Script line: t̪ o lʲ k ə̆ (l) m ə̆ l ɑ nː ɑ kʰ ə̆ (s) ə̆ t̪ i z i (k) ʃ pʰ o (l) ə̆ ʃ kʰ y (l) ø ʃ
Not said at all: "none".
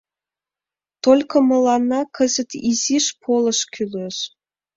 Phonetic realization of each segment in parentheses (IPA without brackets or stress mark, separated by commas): none, z, none, l, l